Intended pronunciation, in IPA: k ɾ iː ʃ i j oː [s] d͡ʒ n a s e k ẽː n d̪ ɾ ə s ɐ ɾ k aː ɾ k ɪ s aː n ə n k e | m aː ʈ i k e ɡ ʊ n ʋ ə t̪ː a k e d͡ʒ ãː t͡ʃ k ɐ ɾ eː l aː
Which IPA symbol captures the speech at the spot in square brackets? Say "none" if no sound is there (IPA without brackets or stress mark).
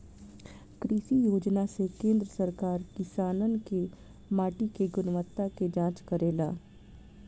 none